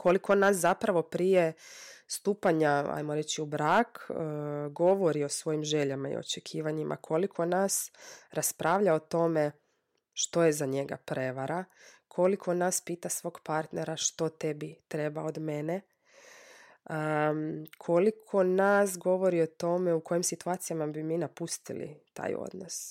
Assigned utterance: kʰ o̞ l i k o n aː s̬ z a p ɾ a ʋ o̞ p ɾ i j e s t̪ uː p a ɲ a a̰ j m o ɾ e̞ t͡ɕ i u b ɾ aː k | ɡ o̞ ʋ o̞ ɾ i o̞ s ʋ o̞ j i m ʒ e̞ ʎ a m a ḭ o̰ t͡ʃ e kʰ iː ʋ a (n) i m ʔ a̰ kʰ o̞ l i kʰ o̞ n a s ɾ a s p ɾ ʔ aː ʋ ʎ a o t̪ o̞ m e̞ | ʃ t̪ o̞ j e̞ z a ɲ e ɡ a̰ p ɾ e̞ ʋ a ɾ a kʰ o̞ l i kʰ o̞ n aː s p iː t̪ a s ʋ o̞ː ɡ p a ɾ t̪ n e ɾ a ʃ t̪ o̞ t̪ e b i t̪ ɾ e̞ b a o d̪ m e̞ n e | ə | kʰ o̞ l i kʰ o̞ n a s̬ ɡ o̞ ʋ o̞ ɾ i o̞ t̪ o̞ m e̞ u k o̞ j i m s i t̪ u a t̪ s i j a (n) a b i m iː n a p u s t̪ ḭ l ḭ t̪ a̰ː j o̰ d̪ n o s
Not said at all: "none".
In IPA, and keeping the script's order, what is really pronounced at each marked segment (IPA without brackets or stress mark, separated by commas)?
ɲ, m